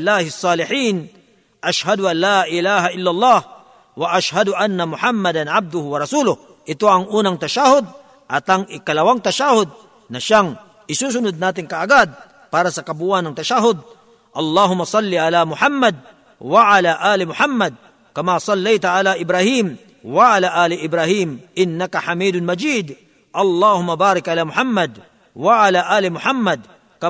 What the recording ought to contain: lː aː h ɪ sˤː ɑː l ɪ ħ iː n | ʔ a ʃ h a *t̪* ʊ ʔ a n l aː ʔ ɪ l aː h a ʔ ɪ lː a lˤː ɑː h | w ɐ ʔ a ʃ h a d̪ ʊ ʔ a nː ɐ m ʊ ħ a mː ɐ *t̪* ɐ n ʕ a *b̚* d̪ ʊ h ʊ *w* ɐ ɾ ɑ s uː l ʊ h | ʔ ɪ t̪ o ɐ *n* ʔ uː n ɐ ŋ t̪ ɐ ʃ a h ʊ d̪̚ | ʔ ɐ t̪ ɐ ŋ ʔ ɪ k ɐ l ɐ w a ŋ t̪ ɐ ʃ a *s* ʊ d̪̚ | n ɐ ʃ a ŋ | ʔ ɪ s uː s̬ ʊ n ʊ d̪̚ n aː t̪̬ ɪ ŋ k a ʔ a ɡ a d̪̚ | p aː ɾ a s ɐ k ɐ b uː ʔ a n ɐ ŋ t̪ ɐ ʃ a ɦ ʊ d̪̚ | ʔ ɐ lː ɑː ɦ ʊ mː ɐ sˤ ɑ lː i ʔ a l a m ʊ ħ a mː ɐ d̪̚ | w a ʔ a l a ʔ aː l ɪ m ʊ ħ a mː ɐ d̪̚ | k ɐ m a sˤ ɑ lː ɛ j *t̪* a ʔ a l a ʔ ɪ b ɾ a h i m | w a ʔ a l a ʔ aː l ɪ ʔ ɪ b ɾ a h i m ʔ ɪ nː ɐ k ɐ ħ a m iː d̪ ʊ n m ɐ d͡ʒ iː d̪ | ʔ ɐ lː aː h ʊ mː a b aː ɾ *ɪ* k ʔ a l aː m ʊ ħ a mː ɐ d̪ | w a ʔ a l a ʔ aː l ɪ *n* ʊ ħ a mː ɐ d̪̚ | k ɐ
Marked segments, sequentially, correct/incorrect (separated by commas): incorrect, incorrect, correct, correct, incorrect, incorrect, correct, correct, incorrect